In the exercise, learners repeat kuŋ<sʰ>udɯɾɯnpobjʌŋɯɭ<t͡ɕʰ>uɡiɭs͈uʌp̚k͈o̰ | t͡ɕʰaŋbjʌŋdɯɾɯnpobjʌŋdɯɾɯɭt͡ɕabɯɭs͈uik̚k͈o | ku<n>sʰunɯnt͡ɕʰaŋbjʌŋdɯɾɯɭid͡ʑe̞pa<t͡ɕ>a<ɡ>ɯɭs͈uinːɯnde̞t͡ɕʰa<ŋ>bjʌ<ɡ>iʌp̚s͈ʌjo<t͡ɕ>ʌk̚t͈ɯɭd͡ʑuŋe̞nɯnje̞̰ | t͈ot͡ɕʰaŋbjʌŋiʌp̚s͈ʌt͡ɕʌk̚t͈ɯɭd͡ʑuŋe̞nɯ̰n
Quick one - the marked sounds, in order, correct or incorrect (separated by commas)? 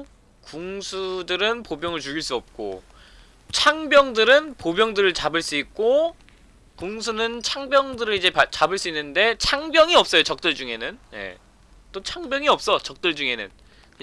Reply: correct, incorrect, incorrect, correct, incorrect, correct, incorrect, correct